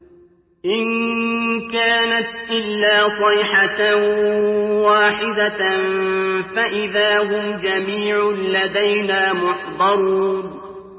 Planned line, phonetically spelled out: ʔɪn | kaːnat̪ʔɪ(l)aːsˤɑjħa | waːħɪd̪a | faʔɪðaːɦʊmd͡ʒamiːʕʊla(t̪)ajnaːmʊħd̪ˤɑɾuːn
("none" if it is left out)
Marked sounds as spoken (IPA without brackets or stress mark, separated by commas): lː, d̪